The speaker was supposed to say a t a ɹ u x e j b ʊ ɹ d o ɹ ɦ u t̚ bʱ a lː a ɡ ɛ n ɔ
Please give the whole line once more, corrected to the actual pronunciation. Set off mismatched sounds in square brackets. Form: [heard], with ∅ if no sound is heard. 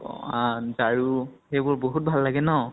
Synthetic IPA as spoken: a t a ɹ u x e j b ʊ ɹ [b] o [∅] ɦ u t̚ bʱ a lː a ɡ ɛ n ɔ